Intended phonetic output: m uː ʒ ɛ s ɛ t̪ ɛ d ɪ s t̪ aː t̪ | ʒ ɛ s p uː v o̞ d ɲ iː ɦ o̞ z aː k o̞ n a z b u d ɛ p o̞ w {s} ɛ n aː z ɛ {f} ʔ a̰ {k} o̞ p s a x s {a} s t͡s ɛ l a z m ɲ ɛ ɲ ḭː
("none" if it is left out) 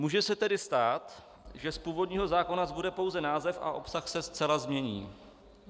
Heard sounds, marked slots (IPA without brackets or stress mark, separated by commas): z, f, ʔ, ɛ